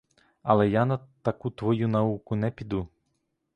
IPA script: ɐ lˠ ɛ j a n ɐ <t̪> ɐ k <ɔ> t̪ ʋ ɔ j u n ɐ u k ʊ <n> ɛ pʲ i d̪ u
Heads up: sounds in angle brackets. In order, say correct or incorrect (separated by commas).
correct, incorrect, correct